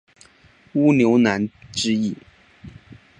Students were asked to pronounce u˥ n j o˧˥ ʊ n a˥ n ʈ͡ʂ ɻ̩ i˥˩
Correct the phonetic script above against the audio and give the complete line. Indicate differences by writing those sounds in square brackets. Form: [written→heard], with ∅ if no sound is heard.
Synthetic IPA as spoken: u˥ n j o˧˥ ʊ n [a˥→a˧˥] n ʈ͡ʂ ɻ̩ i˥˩